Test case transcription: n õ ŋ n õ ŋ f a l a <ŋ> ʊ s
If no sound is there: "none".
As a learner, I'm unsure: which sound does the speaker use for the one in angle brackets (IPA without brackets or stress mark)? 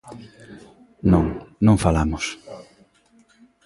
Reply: m